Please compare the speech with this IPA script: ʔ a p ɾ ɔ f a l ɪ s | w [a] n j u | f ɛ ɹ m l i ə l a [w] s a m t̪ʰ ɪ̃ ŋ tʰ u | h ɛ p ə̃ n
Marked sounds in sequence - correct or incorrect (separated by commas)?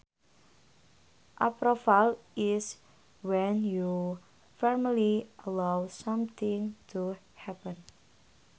incorrect, correct